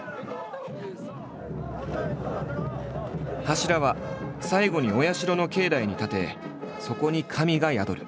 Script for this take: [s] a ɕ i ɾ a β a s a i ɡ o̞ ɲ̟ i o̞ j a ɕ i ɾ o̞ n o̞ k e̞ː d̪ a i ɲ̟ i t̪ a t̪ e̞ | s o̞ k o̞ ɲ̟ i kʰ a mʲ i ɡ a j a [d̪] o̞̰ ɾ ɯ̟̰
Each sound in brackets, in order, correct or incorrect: incorrect: h, correct

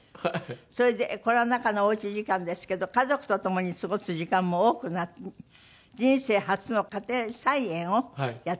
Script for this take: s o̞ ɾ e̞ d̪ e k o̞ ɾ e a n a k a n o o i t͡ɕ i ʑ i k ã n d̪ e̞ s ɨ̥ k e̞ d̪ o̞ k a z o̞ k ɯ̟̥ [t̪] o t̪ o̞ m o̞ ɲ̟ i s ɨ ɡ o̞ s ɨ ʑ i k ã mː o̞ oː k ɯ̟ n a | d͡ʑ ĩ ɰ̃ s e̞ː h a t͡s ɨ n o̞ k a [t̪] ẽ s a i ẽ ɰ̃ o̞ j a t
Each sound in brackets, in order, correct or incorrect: correct, correct

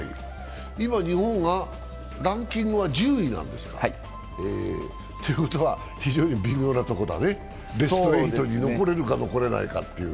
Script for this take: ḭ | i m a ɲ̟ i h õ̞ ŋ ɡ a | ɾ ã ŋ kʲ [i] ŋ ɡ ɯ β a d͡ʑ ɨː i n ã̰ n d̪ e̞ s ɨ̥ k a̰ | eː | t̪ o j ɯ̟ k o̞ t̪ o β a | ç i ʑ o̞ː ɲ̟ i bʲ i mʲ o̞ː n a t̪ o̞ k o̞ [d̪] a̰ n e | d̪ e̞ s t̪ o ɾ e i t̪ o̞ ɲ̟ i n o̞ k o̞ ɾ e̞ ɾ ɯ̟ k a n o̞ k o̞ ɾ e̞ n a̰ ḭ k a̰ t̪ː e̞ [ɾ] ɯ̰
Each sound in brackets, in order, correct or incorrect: incorrect: ĩ, correct, incorrect: none

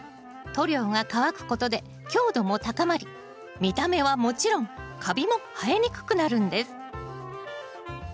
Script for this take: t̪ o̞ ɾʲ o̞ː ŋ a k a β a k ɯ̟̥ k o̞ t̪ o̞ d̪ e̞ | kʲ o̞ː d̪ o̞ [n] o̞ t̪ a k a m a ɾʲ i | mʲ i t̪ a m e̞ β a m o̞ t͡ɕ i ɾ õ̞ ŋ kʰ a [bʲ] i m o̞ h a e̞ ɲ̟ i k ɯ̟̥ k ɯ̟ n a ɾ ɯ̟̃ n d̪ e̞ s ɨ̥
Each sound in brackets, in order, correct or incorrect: incorrect: m, correct

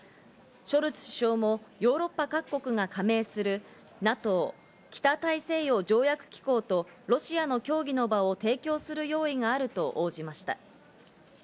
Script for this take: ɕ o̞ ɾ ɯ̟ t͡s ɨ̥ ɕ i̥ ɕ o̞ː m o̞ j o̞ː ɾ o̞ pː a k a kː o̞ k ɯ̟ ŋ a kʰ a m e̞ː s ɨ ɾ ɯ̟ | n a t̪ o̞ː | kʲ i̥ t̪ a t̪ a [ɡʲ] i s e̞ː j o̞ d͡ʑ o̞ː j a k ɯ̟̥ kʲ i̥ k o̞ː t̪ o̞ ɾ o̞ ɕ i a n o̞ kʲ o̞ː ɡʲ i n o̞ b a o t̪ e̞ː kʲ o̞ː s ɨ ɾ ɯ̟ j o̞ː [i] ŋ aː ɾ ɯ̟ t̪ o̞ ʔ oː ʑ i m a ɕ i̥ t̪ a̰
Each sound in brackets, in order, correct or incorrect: incorrect: none, correct

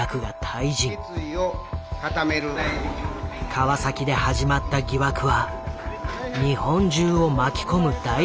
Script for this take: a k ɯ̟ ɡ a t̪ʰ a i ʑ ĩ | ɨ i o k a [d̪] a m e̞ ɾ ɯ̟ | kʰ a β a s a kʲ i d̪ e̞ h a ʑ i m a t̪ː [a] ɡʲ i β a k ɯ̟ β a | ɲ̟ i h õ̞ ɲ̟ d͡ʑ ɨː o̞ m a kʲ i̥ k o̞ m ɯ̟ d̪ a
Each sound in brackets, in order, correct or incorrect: incorrect: t̪, correct

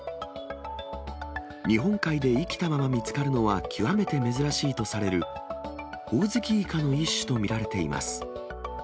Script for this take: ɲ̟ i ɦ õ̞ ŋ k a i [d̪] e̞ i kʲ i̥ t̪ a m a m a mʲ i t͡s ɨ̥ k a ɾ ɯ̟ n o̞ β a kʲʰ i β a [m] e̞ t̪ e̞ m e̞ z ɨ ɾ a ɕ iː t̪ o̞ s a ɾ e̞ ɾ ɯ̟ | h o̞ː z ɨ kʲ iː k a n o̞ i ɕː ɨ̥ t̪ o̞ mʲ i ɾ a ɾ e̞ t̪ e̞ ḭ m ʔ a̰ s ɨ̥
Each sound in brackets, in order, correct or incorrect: correct, correct

